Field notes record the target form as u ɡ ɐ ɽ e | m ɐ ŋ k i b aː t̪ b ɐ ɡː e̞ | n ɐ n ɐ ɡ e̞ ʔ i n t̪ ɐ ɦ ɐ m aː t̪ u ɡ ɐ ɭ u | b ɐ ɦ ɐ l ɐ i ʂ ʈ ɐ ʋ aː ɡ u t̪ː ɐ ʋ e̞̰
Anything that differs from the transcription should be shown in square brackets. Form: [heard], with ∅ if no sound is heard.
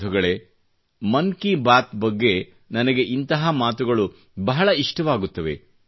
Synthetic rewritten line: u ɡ ɐ [ɭ] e | m ɐ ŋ k i b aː t̪ b ɐ ɡː e̞ | n ɐ n ɐ ɡ e̞ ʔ i n t̪ ɐ ɦ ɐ m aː t̪ u ɡ ɐ ɭ u | b ɐ ɦ ɐ [ɭ] ɐ i ʂ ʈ ɐ ʋ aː ɡ u t̪ː ɐ ʋ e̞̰